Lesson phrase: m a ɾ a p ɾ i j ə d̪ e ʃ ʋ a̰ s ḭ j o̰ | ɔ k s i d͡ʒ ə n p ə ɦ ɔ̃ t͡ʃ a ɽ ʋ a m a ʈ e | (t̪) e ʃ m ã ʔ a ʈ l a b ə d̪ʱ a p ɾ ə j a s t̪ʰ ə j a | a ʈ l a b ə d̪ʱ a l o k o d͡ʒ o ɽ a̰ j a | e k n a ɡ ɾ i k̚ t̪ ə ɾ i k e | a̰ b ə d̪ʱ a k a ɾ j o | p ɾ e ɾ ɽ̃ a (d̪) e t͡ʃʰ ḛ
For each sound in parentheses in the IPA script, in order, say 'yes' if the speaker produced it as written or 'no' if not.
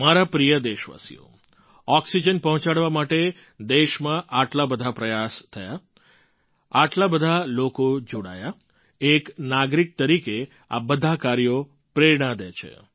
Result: no, yes

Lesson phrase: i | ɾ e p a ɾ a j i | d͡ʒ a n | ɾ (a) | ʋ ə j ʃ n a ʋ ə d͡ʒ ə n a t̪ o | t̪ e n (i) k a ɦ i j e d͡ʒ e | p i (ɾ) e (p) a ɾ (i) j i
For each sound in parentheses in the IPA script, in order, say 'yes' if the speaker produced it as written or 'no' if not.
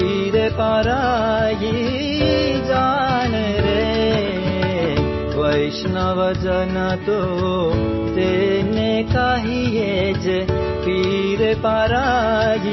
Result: no, no, yes, yes, no

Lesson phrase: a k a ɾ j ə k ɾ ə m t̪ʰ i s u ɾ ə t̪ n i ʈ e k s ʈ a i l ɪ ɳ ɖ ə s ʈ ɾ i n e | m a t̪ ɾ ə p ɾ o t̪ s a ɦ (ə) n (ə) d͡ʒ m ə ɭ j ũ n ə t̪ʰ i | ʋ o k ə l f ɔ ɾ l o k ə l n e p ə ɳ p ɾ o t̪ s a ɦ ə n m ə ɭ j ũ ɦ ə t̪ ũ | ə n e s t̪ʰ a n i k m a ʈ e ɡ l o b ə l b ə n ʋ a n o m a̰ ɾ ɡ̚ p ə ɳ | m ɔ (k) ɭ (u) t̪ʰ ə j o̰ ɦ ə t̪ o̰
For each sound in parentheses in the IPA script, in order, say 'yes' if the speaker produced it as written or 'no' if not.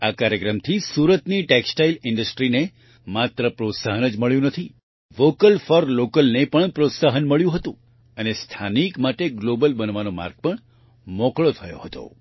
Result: yes, yes, yes, no

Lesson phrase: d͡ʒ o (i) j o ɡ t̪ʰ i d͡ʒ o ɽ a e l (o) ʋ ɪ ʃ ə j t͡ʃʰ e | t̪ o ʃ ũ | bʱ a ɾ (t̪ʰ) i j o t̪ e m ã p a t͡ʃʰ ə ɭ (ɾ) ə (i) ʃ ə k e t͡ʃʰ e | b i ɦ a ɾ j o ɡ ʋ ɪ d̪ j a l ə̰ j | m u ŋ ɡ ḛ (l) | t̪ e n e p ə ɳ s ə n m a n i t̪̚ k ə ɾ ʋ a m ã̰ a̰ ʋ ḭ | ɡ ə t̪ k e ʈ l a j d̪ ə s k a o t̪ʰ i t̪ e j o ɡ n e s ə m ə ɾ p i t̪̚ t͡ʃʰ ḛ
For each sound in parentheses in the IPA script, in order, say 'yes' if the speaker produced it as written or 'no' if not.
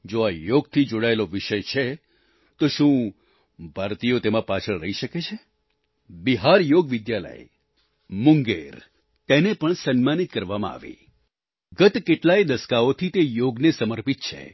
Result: no, yes, no, yes, yes, no

